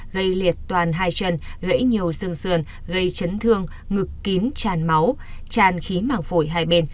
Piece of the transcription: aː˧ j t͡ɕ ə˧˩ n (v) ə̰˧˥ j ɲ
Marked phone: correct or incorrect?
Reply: incorrect: ɣ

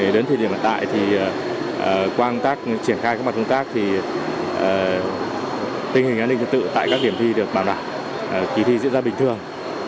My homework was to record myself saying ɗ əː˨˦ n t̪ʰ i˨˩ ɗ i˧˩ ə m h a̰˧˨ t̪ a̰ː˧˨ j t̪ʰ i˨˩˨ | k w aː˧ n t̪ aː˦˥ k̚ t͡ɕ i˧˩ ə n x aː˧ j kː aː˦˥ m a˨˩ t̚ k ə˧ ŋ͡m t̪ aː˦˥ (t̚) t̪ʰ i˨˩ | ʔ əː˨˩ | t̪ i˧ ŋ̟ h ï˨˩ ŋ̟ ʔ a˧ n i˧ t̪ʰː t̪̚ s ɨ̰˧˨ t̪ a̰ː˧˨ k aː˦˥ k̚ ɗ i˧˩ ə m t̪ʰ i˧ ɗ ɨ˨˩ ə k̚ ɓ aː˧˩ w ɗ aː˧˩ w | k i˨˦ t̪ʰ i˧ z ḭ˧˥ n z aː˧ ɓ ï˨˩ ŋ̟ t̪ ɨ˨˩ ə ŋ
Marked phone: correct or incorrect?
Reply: incorrect: k̚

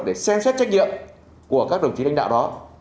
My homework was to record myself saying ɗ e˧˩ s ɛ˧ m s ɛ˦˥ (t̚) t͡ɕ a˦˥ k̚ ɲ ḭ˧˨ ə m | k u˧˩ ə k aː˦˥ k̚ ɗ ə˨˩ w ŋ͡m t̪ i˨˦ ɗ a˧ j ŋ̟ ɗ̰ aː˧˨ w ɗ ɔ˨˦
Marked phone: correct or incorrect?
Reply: correct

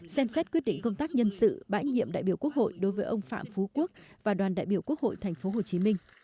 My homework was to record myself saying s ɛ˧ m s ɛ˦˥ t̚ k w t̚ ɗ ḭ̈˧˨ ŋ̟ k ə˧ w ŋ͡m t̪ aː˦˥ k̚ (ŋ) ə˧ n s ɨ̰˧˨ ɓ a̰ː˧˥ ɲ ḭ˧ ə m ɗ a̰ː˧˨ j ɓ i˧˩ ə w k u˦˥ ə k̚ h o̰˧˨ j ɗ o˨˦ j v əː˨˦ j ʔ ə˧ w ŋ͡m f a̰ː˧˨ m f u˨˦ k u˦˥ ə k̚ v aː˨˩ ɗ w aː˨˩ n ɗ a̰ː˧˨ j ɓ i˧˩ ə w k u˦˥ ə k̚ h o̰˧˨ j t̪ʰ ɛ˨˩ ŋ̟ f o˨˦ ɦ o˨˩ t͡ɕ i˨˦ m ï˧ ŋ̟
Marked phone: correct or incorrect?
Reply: incorrect: ɲ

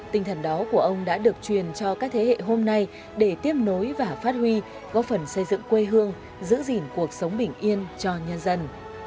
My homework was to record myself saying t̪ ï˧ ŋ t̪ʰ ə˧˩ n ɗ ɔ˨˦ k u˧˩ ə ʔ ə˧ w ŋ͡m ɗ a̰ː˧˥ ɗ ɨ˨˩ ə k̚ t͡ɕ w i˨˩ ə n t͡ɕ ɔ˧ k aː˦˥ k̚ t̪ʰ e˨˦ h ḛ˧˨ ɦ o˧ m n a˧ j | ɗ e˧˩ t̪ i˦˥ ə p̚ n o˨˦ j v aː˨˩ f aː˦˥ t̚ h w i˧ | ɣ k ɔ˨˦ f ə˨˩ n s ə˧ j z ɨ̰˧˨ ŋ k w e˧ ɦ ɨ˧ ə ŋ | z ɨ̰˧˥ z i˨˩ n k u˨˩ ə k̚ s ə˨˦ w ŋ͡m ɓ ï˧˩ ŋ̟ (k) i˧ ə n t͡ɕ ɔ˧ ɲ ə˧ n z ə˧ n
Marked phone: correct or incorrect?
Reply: incorrect: ʔ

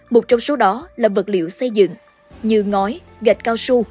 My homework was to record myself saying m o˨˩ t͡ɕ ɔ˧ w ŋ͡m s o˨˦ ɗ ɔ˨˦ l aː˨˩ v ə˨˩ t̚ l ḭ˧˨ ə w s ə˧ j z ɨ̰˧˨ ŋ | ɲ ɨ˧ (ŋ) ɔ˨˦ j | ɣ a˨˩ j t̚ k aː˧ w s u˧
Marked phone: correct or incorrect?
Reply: correct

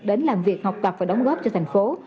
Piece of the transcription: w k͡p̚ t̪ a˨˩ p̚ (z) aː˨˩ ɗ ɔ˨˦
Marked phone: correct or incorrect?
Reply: incorrect: v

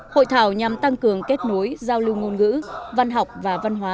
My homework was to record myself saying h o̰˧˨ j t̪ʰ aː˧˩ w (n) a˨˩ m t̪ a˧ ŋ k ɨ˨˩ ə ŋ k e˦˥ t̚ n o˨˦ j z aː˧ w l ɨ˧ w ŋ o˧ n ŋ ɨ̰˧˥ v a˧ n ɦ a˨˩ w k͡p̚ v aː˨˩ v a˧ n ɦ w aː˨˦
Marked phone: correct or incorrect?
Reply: incorrect: ɲ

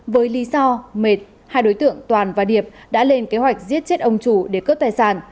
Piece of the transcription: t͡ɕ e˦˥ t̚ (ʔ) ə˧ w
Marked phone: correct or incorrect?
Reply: correct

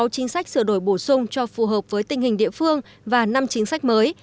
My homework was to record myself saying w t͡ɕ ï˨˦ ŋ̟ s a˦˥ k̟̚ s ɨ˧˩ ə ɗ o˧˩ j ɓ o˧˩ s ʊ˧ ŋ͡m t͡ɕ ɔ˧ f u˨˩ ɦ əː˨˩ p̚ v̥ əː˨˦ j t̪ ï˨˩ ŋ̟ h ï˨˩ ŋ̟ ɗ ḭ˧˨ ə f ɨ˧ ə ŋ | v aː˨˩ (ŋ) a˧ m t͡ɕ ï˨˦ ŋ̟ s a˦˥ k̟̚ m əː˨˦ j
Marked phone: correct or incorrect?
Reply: incorrect: n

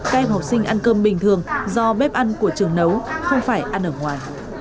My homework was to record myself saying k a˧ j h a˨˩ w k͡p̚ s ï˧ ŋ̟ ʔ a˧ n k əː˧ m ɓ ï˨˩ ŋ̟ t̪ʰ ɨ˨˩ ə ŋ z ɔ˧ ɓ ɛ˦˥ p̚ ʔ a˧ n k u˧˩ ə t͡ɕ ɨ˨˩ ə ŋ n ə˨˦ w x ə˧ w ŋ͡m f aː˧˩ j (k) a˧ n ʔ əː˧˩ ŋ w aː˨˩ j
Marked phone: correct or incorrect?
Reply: incorrect: ʔ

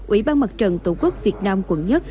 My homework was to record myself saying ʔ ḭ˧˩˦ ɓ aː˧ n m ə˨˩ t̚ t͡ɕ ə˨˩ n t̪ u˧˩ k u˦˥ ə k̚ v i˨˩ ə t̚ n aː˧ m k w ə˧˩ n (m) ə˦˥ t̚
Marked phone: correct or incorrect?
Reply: incorrect: ɲ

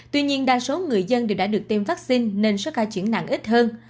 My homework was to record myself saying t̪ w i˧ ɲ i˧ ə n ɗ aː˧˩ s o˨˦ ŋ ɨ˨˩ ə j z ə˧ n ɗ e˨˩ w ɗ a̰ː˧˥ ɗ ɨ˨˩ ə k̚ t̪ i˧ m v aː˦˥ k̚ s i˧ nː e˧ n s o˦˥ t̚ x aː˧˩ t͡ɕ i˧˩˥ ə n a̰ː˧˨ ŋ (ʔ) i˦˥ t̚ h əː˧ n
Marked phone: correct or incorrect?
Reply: correct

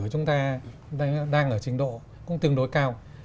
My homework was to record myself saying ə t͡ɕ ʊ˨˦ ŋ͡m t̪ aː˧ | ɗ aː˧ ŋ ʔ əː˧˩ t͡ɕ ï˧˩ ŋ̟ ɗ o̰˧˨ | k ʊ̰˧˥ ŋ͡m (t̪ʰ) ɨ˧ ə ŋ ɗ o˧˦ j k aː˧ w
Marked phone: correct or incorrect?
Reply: incorrect: t̪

